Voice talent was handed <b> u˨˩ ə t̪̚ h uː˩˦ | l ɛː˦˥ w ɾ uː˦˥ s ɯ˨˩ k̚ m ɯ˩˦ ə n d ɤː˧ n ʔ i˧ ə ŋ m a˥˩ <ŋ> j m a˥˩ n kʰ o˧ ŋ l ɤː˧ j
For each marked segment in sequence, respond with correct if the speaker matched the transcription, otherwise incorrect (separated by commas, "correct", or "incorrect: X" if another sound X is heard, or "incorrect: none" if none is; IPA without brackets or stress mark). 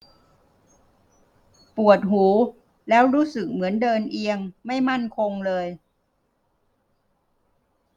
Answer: incorrect: p, incorrect: none